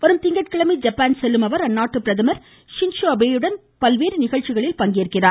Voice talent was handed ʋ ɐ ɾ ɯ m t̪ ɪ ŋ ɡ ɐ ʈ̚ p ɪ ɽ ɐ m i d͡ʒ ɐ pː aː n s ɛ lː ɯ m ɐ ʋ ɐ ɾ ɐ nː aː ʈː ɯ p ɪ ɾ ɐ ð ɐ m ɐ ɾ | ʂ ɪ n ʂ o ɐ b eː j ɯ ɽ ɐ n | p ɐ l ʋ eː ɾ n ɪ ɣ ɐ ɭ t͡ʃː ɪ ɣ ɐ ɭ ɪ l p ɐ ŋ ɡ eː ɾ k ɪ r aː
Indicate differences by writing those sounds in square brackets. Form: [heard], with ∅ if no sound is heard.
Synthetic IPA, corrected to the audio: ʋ ɐ ɾ ɯ m t̪ ɪ ŋ ɡ ɐ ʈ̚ [k] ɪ [ɭ] ɐ m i d͡ʒ ɐ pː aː n s ɛ lː ɯ m ɐ ʋ ɐ ɾ ɐ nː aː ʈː ɯ p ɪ ɾ ɐ ð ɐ m ɐ ɾ | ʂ ɪ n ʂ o ɐ b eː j ɯ ɽ ɐ n | p ɐ l ʋ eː ɾ n ɪ ɣ ɐ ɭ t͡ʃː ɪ ɣ ɐ ɭ ɪ l p ɐ ŋ ɡ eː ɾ k ɪ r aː